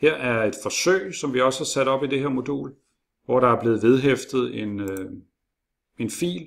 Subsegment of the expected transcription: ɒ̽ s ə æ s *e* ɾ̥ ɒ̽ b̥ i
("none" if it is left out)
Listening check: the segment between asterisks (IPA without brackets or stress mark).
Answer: æ